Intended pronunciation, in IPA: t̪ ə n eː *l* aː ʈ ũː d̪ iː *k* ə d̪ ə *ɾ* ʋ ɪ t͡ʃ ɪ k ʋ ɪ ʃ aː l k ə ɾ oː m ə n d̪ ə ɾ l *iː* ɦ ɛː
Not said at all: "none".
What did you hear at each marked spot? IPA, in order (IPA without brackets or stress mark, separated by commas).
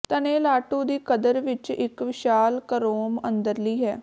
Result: l, k, ɾ, iː